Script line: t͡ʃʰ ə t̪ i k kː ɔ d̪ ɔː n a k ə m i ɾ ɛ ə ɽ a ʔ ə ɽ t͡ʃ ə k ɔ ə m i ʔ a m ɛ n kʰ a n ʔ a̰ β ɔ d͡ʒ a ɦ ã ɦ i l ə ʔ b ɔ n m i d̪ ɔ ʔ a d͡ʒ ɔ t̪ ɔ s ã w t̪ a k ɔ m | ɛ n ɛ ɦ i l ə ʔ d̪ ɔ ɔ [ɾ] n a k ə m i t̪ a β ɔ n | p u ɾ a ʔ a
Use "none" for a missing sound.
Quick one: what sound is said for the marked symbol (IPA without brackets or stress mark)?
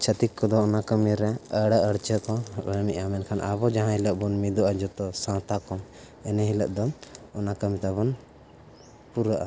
none